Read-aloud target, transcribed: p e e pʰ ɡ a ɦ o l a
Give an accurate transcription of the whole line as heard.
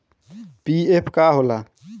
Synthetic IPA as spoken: p i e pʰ k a ɦ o l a